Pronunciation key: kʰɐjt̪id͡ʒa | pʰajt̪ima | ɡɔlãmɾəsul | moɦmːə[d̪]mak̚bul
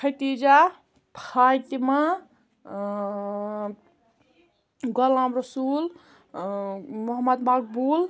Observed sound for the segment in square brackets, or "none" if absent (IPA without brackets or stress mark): d̪